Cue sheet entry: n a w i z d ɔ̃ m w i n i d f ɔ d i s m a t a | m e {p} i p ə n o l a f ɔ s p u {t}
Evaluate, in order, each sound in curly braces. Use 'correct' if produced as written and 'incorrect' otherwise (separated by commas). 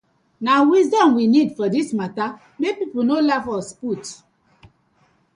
correct, correct